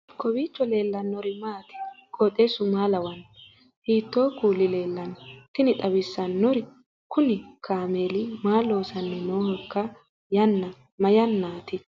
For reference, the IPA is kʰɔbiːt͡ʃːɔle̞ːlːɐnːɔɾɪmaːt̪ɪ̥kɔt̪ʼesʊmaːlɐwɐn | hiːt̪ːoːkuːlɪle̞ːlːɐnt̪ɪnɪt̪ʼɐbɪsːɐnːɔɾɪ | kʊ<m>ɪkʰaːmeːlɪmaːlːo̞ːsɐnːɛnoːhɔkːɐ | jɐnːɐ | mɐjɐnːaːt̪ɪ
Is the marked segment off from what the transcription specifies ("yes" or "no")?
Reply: yes